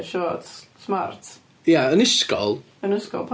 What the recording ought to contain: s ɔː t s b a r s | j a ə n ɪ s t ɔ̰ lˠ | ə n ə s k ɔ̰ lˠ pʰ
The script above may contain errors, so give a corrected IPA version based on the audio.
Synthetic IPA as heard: ʃ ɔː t s m a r t | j a ə n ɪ s k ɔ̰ lˠ | ə n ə s k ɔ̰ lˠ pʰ